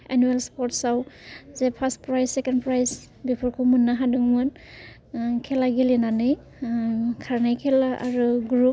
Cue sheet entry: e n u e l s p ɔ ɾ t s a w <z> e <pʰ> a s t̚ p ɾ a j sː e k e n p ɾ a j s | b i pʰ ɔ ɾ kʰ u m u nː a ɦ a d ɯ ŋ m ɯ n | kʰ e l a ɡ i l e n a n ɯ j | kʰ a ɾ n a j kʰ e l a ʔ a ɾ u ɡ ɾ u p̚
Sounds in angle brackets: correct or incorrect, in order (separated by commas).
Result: correct, correct